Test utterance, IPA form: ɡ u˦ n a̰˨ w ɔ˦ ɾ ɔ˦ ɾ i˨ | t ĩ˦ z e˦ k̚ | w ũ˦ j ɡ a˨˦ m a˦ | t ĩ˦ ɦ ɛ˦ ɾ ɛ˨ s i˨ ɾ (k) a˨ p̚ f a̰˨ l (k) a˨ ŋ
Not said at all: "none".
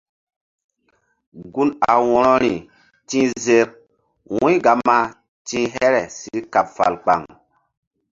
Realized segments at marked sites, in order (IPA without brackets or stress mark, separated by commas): k, k͡p